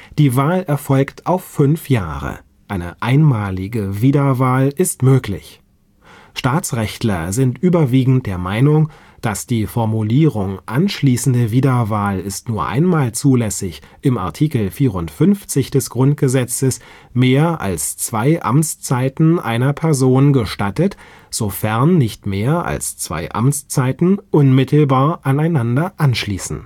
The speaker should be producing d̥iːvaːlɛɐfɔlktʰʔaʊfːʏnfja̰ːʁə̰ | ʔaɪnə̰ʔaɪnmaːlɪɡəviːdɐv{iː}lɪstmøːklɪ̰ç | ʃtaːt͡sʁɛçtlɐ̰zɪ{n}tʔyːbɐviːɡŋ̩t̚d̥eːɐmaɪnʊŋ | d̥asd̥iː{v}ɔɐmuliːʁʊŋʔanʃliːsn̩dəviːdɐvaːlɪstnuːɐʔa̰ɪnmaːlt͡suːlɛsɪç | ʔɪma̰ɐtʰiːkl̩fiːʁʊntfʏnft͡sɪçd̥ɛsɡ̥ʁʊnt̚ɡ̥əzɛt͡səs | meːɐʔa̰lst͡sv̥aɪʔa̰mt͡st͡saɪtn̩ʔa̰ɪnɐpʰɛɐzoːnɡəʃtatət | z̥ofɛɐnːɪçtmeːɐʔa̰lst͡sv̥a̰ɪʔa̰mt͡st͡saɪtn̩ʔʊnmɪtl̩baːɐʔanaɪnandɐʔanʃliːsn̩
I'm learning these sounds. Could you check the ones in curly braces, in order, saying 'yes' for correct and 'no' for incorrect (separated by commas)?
no, yes, no